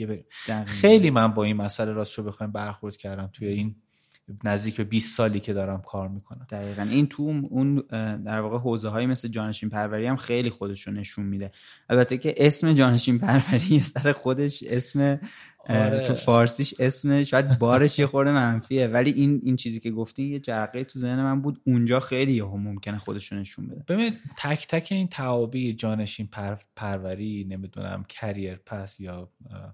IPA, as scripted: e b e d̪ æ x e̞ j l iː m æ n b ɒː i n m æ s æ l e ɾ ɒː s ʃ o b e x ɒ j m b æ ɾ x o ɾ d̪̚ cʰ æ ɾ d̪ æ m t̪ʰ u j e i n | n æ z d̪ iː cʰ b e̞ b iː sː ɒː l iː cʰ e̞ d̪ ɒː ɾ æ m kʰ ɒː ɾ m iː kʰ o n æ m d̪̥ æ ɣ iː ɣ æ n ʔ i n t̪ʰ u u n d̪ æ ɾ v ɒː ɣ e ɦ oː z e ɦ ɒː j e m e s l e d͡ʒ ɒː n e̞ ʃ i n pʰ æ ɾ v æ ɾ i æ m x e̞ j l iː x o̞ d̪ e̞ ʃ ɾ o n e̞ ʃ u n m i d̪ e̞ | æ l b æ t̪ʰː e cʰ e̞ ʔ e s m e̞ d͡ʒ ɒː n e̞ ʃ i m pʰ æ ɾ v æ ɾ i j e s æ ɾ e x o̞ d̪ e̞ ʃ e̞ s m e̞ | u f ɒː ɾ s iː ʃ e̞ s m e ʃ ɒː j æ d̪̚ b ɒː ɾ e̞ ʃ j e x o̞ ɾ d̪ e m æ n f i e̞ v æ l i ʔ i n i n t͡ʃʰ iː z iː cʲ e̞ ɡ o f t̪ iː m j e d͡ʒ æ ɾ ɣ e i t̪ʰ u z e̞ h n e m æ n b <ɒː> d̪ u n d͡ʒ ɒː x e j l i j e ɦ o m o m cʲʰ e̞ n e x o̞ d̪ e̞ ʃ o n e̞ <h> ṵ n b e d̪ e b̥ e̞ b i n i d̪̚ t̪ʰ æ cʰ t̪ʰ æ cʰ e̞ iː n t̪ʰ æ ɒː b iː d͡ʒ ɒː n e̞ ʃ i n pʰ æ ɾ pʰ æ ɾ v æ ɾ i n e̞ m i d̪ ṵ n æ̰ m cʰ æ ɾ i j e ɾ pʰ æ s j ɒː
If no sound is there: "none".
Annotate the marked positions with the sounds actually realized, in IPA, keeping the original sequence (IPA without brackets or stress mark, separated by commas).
uː, ʃ